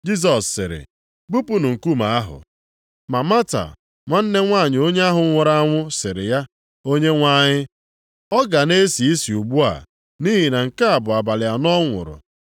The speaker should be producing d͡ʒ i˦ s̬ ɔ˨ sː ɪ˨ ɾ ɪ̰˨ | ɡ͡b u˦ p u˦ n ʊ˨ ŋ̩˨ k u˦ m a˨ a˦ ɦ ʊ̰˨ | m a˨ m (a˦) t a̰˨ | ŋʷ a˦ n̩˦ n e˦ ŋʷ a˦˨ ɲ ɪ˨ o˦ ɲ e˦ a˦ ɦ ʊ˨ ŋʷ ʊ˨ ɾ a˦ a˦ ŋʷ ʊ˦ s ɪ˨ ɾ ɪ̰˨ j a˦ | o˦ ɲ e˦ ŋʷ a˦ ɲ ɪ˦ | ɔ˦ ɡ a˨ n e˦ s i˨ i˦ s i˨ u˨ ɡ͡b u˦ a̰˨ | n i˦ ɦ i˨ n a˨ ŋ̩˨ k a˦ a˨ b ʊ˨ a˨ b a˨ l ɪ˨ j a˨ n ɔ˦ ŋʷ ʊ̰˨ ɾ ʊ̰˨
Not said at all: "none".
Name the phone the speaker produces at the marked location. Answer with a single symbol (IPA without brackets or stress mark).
a˦